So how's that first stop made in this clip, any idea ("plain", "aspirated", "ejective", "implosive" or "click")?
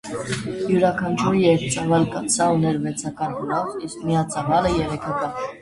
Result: aspirated